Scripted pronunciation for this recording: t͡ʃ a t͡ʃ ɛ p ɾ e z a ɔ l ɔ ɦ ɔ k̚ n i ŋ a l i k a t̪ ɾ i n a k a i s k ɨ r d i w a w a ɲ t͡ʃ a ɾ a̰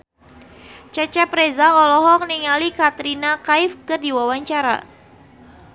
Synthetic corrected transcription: t͡ʃ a t͡ʃ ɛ p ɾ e z a ɔ l ɔ ɦ ɔ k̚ n i ŋ a l i k a t̪ ɾ i n a k a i f k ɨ r d i w a w a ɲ t͡ʃ a ɾ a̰

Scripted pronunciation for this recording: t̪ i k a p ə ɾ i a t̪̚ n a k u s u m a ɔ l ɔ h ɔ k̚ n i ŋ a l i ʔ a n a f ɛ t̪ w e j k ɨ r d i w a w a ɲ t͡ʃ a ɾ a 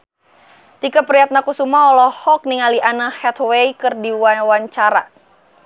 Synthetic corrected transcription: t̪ i k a p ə ɾ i a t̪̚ n a k u s u m a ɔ l ɔ h ɔ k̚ n i ŋ a l i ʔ a n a h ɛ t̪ w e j k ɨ r d i w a w a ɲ t͡ʃ a ɾ a

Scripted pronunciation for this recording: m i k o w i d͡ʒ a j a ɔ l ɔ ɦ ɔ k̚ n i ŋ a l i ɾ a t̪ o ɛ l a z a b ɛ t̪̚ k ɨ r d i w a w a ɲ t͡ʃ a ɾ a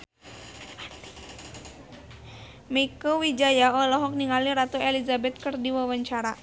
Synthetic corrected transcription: m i k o w i d͡ʒ a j a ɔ l ɔ ɦ ɔ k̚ n i ŋ a l i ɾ a t̪ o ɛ l i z a b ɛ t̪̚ k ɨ r d i w a w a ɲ t͡ʃ a ɾ a

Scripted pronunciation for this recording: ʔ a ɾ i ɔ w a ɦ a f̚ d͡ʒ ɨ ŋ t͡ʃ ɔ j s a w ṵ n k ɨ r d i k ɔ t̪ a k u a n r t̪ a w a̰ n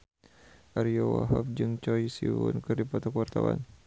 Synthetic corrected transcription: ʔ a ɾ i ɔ w a ɦ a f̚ d͡ʒ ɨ ŋ t͡ʃ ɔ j s i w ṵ n k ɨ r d i p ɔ t̪ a k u a r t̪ a w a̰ n

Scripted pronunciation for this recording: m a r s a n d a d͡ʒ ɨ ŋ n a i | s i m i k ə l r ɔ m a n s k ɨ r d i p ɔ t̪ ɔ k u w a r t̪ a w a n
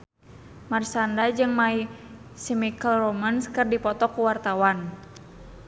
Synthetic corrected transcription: m a r s a n d a d͡ʒ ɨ ŋ m a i | s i m i k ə l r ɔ m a n s k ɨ r d i p ɔ t̪ ɔ k u w a r t̪ a w a n

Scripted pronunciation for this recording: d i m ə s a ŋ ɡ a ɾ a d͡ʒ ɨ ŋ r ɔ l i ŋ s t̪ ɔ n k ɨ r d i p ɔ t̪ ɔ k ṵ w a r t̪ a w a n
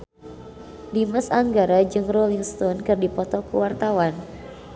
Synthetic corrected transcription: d i m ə s a ŋ ɡ a ɾ a d͡ʒ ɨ ŋ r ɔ l i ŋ s t̪ ɔ n k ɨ r d i p ɔ t̪ ɔ k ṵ w a r t̪ a w a n

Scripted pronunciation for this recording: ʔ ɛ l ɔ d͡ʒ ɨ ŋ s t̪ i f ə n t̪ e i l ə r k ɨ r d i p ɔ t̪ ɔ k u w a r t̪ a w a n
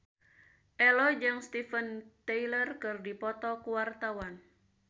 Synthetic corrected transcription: ʔ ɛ l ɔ d͡ʒ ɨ ŋ s t̪ i f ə n t̪ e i l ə r k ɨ r d i p ɔ t̪ ɔ k u w a r t̪ a w a n

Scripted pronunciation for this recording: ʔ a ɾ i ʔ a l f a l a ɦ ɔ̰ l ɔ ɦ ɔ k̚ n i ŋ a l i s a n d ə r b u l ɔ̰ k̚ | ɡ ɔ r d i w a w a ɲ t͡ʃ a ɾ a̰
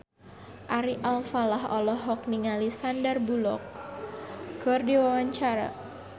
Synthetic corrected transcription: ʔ a ɾ i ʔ a l f a l a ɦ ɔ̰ l ɔ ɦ ɔ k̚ n i ŋ a l i s a n d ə r b u l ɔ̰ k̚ | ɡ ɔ r d i w a w a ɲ t͡ʃ a ɾ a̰

